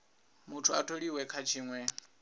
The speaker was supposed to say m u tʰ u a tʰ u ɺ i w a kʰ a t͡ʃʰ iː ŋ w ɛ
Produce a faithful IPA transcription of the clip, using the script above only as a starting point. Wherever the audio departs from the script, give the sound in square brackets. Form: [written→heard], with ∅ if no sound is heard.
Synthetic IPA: m u tʰ u a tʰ [u→o] ɺ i w [a→ɛ] kʰ a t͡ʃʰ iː ŋ w ɛ